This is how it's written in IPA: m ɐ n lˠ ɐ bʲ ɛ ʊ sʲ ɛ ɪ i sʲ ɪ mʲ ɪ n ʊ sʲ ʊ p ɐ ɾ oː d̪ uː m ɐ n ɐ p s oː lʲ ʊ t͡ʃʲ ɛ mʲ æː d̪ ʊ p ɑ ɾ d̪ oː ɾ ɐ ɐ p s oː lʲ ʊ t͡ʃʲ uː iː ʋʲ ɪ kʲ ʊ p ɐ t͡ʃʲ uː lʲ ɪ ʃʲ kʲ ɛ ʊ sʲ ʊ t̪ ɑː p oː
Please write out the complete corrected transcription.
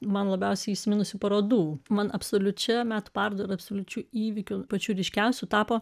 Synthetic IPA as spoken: m ɐ n lˠ ɐ bʲ ɛ ʊ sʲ ɛ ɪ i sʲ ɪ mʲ ɪ n ʊ sʲ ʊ p ɐ ɾ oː d̪ uː m ɐ n ɐ p s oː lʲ ʊ t͡ʃʲ ɛ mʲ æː t̪ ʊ p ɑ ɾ d̪ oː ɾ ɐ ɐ p s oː lʲ ʊ t͡ʃʲ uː iː ʋʲ ɪ kʲ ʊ p ɐ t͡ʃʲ uː ɾʲ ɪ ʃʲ kʲ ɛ ʊ sʲ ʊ t̪ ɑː p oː

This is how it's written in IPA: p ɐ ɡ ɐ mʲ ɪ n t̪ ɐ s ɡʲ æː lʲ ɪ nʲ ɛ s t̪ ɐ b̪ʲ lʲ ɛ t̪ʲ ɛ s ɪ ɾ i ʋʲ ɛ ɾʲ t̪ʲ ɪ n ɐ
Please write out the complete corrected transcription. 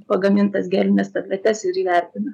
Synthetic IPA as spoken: p ɐ ɡ ɐ mʲ ɪ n t̪ ɐ s ɡʲ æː lʲ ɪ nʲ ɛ s t̪ ɐ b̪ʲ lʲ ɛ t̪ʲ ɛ s ɪ ɾ i ʋʲ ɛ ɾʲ t̪ʲ ɪ n ɐ

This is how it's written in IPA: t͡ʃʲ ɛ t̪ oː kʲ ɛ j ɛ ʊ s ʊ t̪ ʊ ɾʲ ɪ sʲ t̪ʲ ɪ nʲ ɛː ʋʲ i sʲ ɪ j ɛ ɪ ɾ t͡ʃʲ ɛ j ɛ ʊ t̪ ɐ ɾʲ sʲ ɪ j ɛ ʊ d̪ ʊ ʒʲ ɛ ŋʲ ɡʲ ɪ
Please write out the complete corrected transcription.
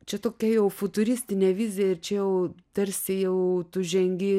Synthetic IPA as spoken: t͡ʃʲ ɛ t̪ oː kʲ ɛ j ɛ ʊ f ʊ t̪ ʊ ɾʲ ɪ sʲ t̪ʲ ɪ nʲ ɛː ʋʲ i zʲ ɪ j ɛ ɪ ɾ t͡ʃʲ ɛ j ɛ ʊ t̪ ɐ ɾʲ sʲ ɪ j ɛ ʊ t̪ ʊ ʒʲ ɛ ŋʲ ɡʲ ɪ

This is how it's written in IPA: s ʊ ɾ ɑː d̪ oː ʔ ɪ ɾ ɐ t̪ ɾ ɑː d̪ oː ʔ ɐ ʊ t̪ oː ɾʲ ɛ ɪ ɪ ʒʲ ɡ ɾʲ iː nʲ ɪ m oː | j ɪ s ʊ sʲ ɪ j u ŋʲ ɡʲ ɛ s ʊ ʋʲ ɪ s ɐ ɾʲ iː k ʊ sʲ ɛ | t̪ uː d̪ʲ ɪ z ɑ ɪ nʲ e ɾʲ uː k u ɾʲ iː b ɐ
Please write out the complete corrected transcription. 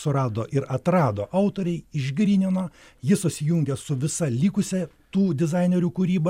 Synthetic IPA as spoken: s ʊ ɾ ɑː d̪ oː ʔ ɪ ɾ ɐ t̪ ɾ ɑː d̪ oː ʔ ɐ ʊ t̪ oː ɾʲ ɛ ɪ ɪ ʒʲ ɡ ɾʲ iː nʲ ɪ n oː | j ɪ s ʊ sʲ ɪ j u ŋʲ ɡʲ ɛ s ʊ ʋʲ ɪ s ɐ lʲ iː k ʊ sʲ ɛ | t̪ uː d̪ʲ ɪ z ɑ ɪ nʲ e ɾʲ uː k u ɾʲ iː b ɐ

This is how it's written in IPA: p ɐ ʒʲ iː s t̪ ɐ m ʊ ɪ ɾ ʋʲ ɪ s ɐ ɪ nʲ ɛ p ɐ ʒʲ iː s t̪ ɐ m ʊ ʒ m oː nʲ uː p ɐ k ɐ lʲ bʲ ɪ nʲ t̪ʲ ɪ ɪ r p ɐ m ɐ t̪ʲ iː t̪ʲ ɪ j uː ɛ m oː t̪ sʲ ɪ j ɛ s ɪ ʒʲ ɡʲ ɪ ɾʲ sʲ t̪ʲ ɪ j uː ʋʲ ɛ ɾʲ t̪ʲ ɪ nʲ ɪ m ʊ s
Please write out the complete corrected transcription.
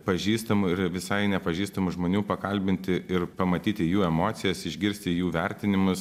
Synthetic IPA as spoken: p ɐ ʒʲ iː s t̪ ɐ m ʊ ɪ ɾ ʋʲ ɪ s ɐ ɪ nʲ ɛ p ɐ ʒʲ iː s t̪ ɐ m ʊ ʒ m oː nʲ uː p ɐ k ɐ lʲ bʲ ɪ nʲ t̪ʲ ɪ ɪ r p ɐ m ɐ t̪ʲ iː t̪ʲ ɪ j uː ɛ m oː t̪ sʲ ɪ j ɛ s ɪ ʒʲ ɡʲ ɪ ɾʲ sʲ t̪ʲ ɪ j uː ʋʲ ɛ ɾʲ t̪ʲ ɪ nʲ ɪ m ʊ s

